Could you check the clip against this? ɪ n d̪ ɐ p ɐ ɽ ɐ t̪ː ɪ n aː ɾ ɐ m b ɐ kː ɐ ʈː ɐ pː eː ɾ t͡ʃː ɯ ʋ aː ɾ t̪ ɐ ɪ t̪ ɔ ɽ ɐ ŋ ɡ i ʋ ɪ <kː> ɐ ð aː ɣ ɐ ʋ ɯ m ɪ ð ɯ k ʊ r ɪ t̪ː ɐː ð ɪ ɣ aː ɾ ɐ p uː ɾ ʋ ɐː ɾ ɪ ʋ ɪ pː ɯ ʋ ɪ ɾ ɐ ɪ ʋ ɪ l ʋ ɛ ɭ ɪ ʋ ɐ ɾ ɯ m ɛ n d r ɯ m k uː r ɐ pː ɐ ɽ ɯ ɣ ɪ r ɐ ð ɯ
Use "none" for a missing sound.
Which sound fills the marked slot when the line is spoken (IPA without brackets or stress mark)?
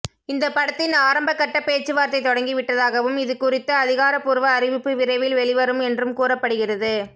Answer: ʈː